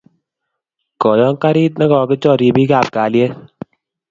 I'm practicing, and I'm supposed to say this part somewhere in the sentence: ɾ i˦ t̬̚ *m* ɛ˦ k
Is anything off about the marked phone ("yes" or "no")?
yes